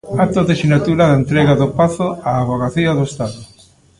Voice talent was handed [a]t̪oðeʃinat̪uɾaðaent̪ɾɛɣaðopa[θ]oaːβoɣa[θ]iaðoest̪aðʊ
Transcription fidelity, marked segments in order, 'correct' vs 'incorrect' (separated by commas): correct, correct, correct